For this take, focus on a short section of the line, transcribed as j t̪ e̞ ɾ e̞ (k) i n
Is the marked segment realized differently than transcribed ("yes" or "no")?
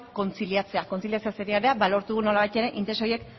yes